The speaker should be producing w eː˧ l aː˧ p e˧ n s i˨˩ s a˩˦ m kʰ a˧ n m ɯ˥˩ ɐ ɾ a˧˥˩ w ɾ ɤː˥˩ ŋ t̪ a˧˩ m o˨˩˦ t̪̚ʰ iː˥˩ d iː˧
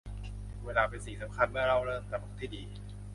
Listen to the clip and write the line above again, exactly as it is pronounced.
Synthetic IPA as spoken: w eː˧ l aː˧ p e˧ n s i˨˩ s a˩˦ m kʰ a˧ n m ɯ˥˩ ɐ ɾ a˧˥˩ w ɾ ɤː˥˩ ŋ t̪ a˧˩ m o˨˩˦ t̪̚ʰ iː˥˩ d iː˧